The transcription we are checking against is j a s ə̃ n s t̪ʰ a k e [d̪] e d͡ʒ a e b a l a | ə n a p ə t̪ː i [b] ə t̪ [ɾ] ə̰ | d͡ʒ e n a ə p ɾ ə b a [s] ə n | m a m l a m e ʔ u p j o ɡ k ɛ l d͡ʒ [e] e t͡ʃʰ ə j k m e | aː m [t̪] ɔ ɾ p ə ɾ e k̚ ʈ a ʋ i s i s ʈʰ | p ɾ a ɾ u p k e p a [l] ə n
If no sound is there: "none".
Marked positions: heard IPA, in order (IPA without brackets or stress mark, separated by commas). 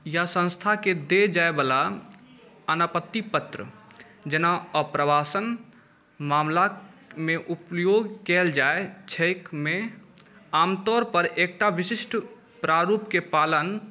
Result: d̪, p, ɾ, s, a, t̪, l